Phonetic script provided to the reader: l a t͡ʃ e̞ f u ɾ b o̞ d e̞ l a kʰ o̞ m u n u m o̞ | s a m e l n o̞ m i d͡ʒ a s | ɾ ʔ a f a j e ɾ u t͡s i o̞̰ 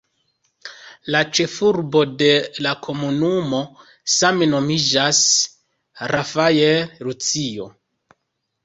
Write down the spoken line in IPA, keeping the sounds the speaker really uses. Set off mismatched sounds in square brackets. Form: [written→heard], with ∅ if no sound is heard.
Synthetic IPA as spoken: l a t͡ʃ e̞ f u ɾ b o̞ d e̞ l a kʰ o̞ m u n u m o̞ | s a m e [l→∅] n o̞ m i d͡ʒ a s | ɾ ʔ a f a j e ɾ u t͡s i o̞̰

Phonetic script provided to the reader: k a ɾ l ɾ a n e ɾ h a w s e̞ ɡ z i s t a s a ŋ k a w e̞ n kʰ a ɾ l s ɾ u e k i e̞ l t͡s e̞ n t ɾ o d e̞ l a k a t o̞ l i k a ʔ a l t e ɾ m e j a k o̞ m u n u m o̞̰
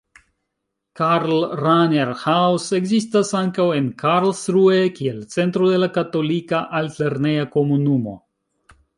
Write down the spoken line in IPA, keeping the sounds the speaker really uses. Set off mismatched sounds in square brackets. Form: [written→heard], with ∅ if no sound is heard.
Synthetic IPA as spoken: k a ɾ l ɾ a n e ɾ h a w s e̞ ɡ z i s t a s a ŋ k a w e̞ n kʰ a ɾ l s ɾ u e k i e̞ l t͡s e̞ n t ɾ o d e̞ l a k a t o̞ l i k a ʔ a l t e ɾ [m→n] e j a k o̞ m u n u m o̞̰

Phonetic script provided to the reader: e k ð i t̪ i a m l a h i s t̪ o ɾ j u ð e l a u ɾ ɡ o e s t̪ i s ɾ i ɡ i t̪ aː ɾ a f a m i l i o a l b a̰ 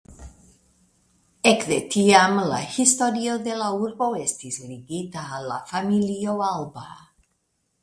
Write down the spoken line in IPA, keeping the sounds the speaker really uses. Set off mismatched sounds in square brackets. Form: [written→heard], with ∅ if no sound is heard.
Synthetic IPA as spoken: e k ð [i→e] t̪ i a m l a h i s t̪ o ɾ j [u→o] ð e l a u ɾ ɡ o e s t̪ i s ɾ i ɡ i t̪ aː [ɾ→l] a f a m i l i o a l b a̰

